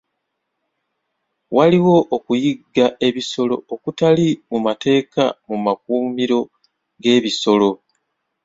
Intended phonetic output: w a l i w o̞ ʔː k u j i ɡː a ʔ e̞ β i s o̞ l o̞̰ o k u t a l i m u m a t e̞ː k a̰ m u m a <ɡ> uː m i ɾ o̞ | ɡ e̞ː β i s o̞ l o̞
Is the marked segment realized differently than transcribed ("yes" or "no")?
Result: yes